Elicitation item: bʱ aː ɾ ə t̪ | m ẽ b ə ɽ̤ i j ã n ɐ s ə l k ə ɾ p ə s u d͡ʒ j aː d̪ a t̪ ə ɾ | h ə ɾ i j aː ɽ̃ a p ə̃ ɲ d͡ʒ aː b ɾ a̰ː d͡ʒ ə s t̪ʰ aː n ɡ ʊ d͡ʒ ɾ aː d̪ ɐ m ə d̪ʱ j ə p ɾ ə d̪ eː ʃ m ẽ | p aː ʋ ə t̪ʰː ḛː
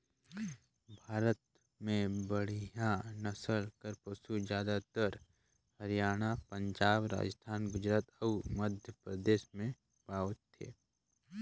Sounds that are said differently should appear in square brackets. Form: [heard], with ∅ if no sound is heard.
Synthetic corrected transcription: bʱ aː ɾ ə t̪ | m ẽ b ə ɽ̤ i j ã n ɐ s ə l k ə ɾ p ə s u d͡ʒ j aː d̪ a t̪ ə ɾ | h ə ɾ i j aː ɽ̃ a p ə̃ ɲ d͡ʒ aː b ɾ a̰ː d͡ʒ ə s t̪ʰ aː n ɡ ʊ d͡ʒ ɾ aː [t̪] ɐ m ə d̪ʱ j ə p ɾ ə d̪ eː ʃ m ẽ | p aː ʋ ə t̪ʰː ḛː